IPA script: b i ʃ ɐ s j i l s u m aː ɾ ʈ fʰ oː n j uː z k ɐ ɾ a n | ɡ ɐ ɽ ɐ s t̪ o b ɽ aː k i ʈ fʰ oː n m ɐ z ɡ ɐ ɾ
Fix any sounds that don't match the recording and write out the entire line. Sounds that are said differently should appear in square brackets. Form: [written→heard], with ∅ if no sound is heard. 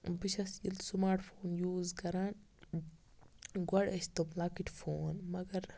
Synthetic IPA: b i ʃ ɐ s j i l s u m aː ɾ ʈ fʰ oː n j uː z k ɐ ɾ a n | ɡ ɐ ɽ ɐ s t̪ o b [ɽ→l] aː k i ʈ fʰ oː n m ɐ [z→∅] ɡ ɐ ɾ